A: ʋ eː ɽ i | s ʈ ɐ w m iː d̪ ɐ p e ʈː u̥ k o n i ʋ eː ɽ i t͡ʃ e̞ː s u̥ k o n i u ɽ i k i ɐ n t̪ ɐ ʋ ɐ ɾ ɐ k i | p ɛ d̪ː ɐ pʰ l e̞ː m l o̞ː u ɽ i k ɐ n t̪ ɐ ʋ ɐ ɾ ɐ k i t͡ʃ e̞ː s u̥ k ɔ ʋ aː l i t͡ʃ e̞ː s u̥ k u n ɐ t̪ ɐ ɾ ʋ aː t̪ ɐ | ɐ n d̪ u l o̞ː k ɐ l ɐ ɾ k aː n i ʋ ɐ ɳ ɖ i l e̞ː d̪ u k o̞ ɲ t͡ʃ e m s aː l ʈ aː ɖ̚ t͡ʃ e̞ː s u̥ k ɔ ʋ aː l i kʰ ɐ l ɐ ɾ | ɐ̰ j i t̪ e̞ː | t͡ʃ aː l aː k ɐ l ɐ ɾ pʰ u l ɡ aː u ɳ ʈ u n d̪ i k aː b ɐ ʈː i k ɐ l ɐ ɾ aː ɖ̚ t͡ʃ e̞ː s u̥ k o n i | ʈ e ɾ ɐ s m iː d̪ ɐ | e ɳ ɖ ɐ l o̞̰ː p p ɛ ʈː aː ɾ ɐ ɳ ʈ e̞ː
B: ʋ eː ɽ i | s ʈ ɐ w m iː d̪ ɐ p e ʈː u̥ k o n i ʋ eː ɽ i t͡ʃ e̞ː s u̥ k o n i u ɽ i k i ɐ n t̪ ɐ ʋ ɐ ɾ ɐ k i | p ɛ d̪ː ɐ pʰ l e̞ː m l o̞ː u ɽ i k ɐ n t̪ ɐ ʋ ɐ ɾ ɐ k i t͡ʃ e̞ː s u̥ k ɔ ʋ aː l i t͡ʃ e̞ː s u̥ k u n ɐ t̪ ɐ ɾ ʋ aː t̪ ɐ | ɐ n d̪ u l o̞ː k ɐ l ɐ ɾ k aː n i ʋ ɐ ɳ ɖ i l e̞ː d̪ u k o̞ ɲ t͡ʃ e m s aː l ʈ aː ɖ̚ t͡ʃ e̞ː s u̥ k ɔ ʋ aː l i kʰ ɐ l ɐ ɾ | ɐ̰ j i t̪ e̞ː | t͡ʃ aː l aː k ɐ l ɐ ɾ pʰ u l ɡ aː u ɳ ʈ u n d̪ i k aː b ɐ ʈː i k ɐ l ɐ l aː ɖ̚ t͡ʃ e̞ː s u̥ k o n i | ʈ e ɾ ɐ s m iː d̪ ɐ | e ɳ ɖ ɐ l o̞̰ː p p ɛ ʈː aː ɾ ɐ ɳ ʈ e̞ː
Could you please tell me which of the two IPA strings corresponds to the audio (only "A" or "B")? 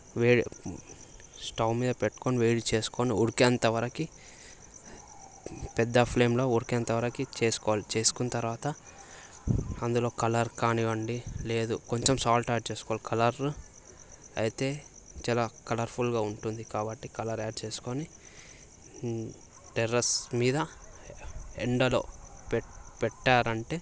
A